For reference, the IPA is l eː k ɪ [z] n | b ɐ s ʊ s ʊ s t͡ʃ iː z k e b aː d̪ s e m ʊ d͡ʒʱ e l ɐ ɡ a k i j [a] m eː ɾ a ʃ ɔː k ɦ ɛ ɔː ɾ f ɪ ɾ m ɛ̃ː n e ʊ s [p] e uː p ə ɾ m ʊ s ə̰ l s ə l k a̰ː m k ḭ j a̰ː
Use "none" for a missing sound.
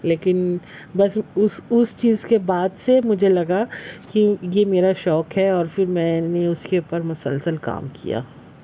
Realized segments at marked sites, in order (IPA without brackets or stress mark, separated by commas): none, e, k